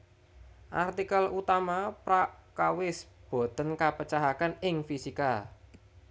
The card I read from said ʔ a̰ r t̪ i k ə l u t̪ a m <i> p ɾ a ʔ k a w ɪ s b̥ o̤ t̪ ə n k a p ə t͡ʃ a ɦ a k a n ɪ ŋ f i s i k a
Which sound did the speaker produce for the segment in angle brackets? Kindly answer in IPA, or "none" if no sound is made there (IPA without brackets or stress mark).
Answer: a